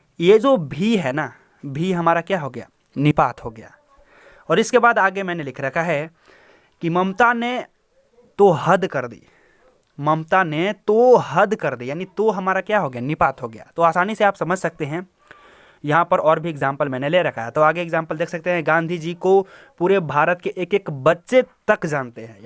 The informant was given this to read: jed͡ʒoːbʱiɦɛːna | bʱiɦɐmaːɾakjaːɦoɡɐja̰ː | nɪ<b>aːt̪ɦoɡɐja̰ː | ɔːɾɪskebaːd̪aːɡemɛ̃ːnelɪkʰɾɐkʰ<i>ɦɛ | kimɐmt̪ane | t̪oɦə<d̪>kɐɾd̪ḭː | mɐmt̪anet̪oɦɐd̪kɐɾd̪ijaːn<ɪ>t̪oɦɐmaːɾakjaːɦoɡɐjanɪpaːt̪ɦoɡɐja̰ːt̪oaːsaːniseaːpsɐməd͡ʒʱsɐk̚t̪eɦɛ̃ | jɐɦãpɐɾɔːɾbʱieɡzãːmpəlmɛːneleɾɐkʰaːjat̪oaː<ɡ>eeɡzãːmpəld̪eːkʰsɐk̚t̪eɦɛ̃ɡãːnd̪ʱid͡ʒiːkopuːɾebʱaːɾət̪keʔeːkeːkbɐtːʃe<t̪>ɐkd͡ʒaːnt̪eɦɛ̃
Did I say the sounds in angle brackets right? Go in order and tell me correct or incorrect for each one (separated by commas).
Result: incorrect, incorrect, correct, incorrect, correct, correct